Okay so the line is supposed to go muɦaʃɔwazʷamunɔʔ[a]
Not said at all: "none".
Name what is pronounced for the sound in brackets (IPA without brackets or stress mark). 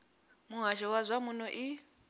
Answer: i